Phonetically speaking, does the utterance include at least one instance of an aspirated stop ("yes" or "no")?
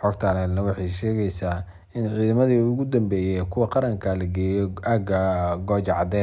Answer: yes